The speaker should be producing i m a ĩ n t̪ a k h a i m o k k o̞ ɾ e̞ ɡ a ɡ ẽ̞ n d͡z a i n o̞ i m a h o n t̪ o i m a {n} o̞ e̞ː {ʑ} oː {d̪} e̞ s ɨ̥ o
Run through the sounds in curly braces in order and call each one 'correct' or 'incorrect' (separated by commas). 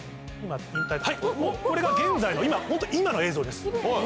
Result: correct, incorrect, correct